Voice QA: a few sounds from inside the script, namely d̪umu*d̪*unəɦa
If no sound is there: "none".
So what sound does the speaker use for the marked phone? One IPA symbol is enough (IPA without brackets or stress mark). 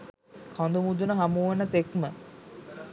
d̪